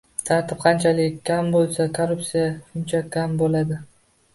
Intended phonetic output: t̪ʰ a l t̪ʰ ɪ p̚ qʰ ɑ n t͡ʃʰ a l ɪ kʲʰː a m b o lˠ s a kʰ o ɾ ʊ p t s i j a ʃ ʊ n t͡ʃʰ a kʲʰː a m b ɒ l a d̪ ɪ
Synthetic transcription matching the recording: t̪ʰ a ɾ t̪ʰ ɪ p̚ qʰ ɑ n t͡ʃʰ a l ɪ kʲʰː a m b o lˠ s a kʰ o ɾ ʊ p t s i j a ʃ ʊ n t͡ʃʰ a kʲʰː a m b o l a d̪ ɪ